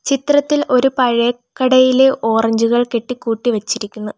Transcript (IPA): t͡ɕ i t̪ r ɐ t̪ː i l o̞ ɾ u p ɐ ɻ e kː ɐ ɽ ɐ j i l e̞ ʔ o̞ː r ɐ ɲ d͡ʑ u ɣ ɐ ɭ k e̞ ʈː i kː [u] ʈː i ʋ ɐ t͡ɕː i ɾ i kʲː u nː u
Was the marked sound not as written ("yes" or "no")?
yes